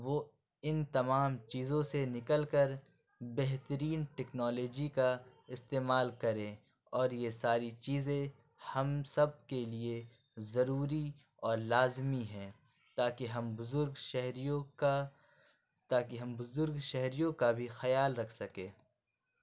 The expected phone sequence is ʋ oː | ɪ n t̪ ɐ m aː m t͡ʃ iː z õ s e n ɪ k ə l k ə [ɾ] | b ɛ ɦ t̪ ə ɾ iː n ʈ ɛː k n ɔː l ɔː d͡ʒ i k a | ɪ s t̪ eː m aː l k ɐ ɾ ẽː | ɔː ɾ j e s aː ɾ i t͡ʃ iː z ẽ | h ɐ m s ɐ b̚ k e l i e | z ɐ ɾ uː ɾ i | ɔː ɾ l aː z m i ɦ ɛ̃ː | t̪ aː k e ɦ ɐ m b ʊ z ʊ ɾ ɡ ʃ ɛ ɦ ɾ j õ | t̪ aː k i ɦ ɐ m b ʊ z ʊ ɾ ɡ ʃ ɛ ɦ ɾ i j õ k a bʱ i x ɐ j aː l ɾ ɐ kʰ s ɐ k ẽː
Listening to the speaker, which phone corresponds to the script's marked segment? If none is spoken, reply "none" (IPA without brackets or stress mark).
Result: ɾ